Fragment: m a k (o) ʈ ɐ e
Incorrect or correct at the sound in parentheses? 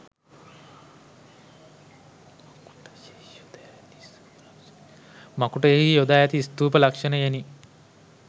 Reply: incorrect: u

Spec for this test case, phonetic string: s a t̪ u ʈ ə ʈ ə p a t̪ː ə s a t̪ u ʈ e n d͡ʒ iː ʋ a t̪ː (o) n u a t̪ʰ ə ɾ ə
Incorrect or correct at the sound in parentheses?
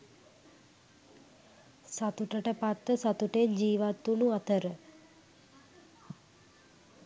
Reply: incorrect: u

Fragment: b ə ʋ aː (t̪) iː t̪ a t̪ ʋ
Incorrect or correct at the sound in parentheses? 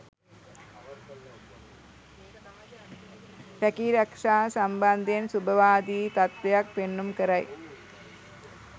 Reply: incorrect: d̪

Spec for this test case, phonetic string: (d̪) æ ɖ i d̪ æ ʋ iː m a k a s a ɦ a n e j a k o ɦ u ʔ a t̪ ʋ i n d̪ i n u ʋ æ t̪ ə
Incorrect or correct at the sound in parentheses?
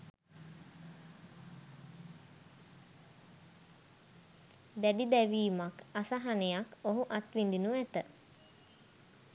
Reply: correct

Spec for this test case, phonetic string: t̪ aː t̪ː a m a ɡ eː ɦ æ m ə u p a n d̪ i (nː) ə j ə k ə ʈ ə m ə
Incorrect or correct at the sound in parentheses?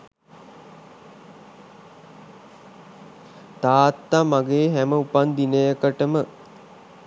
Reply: incorrect: n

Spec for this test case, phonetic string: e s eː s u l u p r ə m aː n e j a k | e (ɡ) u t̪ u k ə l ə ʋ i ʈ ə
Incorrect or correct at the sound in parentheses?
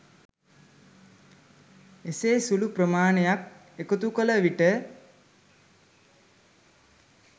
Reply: incorrect: k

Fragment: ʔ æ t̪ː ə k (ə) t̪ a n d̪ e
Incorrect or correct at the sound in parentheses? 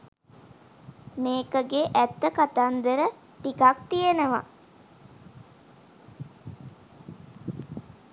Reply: incorrect: a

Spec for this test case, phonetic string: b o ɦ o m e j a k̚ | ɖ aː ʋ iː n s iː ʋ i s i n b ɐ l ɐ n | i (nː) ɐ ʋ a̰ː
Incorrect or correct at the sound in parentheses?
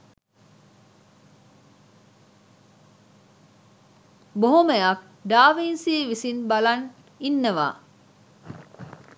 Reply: correct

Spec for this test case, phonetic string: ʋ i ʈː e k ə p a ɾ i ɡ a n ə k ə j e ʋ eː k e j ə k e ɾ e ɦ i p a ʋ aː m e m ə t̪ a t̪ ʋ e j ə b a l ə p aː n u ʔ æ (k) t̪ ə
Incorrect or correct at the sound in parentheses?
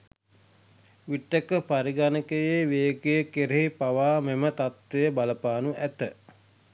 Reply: incorrect: none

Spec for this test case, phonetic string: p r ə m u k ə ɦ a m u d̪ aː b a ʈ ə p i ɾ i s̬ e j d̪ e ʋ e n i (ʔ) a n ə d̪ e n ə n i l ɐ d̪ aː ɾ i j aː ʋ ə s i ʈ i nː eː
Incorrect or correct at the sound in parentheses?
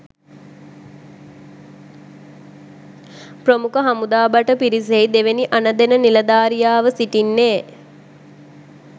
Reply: correct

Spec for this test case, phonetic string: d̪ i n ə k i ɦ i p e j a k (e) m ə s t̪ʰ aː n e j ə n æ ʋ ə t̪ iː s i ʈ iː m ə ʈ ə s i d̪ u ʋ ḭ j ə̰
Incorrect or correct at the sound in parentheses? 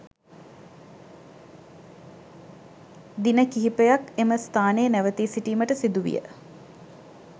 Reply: correct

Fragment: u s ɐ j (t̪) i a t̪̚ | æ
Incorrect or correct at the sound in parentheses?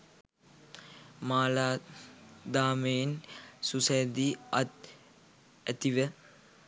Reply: incorrect: d̪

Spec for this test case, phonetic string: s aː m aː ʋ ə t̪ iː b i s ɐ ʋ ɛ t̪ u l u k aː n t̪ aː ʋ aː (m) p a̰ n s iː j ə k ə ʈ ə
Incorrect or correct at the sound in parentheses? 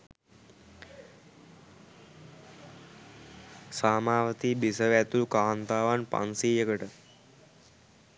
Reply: incorrect: n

